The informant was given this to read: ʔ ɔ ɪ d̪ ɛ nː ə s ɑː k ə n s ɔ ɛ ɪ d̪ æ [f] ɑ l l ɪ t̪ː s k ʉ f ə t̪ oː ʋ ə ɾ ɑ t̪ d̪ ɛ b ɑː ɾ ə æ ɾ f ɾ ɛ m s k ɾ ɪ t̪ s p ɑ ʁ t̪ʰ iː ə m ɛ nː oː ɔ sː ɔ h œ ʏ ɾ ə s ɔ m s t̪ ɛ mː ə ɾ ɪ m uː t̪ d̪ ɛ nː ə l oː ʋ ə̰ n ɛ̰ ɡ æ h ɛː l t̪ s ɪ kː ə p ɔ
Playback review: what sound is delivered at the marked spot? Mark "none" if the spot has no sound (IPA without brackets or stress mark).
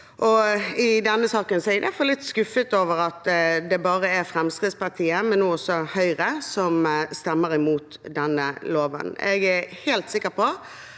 f